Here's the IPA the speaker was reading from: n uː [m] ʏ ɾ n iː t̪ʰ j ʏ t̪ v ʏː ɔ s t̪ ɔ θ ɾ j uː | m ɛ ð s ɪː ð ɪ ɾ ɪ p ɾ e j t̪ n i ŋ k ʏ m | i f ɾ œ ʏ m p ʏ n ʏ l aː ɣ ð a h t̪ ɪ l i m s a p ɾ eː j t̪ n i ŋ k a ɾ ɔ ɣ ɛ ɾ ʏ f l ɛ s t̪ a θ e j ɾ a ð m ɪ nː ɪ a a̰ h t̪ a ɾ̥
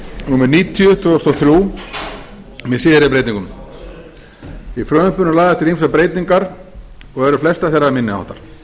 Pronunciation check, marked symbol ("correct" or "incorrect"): correct